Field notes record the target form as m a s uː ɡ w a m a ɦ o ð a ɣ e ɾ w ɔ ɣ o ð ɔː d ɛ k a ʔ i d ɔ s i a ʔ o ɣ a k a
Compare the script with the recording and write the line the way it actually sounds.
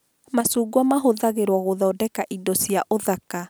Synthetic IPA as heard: m a s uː ɡ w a m a ɦ o ð a ɣ e ɾ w ɔ ɣ o ð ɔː d ɛ k a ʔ i d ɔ s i a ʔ o ð a k a